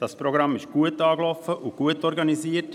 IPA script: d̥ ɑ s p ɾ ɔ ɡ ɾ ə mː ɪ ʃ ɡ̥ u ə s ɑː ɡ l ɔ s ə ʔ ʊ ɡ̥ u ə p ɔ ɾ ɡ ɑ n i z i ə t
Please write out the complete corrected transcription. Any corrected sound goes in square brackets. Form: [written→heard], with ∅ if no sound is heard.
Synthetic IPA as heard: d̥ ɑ s p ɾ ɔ ɡ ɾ [ə→ɑ] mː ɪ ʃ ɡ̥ u ə [s→t] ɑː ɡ l ɔ [s→f] ə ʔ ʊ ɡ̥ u ə [p→t] ɔ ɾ ɡ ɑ n i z i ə t

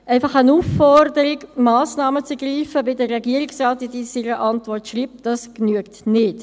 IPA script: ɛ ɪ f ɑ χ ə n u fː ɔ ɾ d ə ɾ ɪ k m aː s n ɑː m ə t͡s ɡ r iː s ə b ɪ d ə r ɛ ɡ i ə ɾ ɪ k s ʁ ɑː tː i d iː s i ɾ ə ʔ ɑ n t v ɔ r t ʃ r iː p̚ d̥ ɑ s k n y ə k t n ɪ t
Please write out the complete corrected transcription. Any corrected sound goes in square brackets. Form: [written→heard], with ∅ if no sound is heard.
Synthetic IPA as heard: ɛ ɪ f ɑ χ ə n u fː ɔ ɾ d ə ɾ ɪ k m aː s n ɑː m ə t͡s ɡ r iː [s→f] ə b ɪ d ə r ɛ ɡ i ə ɾ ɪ k s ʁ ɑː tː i d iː s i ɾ ə ʔ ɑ n t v ɔ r t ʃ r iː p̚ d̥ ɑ s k n y ə k t n ɪ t

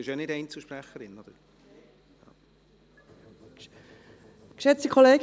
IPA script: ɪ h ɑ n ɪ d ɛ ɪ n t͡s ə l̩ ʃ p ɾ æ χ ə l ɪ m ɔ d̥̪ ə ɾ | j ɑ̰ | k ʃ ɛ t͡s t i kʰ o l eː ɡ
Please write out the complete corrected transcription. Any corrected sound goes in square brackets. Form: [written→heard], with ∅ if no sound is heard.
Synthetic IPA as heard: ɪ [h→ʃ] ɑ n ɪ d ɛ ɪ n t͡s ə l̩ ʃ p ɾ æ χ ə [l→ɾ] ɪ [m→n] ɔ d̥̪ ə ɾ | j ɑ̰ | k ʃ ɛ t͡s t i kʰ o l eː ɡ

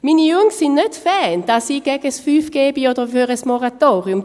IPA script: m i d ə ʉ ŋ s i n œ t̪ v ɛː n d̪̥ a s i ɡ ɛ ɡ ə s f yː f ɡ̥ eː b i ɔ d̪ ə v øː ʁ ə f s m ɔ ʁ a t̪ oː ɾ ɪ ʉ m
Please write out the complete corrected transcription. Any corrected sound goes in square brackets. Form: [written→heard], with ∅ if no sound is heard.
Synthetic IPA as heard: m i [d→n] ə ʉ ŋ s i n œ t̪ [v→f] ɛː n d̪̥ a s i ɡ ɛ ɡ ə s f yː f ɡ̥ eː b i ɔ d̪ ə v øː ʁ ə [f→∅] s m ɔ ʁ a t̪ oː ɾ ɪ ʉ m

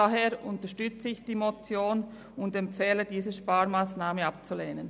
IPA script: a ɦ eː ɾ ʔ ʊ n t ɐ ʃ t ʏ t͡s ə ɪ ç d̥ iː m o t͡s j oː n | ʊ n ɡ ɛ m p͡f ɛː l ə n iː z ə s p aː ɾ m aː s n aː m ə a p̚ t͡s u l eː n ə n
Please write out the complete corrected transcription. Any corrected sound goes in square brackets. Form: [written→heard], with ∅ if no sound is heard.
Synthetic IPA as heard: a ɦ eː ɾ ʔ ʊ n t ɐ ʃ t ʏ t͡s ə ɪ ç d̥ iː m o t͡s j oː n | ʊ n [ɡ→d] ɛ m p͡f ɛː l ə [n→d] iː z ə [s→ʃ] p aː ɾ m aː s n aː m ə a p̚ t͡s u l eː n ə n

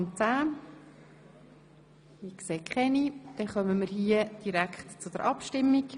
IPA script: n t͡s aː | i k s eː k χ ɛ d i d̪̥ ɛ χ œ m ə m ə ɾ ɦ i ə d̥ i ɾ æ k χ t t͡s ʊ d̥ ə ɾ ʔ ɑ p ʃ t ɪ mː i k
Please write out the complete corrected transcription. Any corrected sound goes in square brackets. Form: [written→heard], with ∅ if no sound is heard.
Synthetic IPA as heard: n t͡s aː | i k s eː k χ ɛ [d→n] i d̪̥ ɛ χ œ m ə m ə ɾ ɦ i ə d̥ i ɾ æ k χ t t͡s ʊ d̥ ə ɾ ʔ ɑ p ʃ t ɪ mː i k

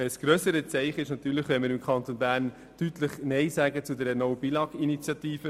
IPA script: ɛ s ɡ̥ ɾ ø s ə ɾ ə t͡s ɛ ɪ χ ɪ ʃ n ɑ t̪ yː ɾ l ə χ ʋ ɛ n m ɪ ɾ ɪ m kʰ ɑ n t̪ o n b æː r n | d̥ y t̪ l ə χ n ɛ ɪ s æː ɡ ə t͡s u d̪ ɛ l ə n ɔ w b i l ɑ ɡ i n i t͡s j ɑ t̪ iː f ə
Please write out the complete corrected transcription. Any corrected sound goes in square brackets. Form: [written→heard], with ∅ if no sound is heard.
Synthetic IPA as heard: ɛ s ɡ̥ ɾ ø s ə ɾ ə t͡s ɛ ɪ χ ɪ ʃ n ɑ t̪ yː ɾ l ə χ ʋ ɛ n m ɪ ɾ ɪ m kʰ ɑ n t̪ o n b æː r n | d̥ y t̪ l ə χ n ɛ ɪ s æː ɡ ə t͡s u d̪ ɛ [l→ɾ] ə n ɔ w b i l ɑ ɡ i n i t͡s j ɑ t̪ iː f ə

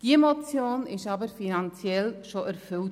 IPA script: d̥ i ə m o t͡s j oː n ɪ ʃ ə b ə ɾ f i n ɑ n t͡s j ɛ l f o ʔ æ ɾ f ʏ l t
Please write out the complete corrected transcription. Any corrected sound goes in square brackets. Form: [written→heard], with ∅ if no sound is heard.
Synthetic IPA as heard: d̥ i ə m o t͡s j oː n ɪ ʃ [ə→ɑ] b ə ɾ f i n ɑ n t͡s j ɛ l [f→ʃ] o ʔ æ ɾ f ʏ l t

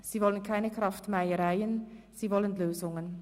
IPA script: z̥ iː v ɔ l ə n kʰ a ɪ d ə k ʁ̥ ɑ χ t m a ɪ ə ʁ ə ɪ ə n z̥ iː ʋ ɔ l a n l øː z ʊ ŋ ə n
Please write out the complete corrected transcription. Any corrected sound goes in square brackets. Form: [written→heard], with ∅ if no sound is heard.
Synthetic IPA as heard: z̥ iː v ɔ l ə n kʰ a ɪ [d→n] ə k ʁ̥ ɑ [χ→f] t m a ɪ ə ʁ [ə→a] ɪ ə n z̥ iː [ʋ→v] ɔ l [a→ə] n l øː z ʊ ŋ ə n

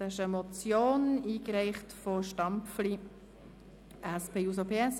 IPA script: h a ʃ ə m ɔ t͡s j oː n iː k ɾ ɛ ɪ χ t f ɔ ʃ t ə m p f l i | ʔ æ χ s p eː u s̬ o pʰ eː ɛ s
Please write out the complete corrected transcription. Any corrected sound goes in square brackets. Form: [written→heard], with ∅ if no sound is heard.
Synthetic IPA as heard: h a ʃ ə m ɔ t͡s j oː n iː k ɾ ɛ ɪ χ t f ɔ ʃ t [ə→ɑ] m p f l i | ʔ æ [χ→∅] s p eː u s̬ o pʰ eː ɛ s

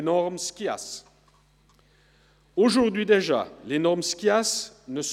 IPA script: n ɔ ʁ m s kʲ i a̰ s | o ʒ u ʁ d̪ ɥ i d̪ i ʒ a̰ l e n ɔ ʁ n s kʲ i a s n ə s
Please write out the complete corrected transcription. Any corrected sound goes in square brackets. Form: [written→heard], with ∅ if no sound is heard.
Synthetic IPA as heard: n ɔ ʁ m s kʲ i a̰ s | o ʒ u ʁ d̪ ɥ i d̪ [i→e] ʒ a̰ l e n ɔ ʁ [n→m] s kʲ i a s n ə s

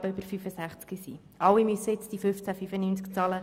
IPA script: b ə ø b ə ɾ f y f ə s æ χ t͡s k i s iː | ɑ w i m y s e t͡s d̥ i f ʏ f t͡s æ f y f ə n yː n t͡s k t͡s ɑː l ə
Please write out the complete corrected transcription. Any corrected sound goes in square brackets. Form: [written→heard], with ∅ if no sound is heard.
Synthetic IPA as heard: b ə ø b ə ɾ f y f ə s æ χ t͡s k i s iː | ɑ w i m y s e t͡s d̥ i f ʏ f t͡s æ f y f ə n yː n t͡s k t͡s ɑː l ə

